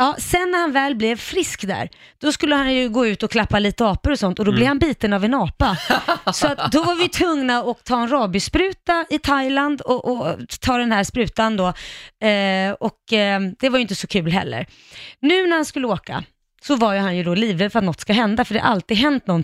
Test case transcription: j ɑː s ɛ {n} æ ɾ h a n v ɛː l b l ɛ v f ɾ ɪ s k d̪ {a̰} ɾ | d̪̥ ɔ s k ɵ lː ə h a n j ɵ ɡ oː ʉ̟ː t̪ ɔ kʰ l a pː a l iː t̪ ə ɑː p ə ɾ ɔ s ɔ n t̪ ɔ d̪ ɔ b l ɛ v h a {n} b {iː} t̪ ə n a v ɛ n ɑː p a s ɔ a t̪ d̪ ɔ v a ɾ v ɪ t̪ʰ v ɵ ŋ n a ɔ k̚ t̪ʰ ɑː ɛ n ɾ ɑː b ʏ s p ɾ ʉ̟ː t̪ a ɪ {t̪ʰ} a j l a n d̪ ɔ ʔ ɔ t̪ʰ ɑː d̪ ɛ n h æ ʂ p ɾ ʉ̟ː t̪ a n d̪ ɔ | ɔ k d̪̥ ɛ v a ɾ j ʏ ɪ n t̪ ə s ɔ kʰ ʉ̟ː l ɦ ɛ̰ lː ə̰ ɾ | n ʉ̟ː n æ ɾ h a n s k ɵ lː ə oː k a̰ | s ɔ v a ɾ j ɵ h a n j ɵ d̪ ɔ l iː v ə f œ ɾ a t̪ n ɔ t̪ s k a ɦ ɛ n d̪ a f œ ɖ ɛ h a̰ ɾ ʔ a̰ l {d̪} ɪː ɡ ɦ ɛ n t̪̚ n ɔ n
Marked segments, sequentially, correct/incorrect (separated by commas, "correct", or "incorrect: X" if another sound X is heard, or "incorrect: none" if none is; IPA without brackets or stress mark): incorrect: nː, incorrect: æ̰, correct, correct, correct, incorrect: t̪